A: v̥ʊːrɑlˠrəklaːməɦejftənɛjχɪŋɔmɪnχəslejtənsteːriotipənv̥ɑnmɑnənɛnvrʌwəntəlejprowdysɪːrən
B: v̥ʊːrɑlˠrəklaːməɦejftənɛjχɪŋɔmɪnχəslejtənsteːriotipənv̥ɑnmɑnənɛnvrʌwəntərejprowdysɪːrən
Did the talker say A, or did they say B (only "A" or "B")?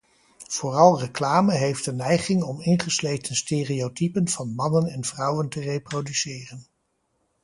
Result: B